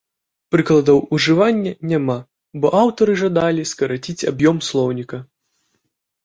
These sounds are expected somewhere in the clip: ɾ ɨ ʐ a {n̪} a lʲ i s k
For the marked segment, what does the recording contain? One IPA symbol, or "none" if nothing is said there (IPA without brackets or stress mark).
d̪